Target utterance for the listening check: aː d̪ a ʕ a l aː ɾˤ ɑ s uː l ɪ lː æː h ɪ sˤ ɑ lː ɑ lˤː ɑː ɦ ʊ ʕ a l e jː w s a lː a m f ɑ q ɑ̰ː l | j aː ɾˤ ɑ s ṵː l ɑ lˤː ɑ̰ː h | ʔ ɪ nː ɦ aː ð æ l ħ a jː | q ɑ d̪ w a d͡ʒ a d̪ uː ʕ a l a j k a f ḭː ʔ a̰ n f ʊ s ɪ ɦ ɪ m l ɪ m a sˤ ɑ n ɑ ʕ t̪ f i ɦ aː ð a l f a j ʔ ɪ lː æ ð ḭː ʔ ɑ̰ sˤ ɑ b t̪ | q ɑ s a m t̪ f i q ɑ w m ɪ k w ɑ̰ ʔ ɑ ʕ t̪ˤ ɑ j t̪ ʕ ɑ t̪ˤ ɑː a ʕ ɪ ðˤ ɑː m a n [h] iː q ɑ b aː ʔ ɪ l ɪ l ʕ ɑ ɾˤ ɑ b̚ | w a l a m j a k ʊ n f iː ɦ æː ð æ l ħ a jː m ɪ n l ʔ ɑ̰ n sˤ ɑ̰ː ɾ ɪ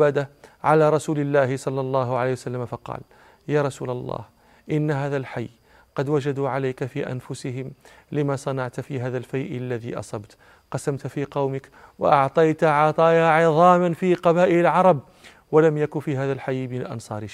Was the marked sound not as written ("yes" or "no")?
yes